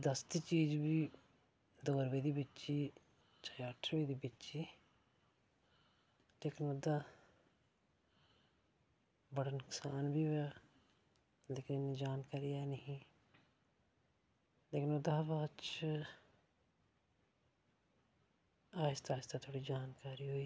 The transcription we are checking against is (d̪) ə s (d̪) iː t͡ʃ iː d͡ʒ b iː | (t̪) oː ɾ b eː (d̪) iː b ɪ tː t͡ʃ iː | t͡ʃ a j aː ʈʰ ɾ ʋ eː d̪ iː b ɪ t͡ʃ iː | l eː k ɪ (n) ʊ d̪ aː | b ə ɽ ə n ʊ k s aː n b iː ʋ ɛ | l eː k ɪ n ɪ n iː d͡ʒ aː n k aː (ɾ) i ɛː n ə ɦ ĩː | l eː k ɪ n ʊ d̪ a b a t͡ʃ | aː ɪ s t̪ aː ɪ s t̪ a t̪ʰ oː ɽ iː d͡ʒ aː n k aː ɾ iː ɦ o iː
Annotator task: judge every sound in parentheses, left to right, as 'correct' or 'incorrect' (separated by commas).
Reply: correct, incorrect, incorrect, correct, correct, correct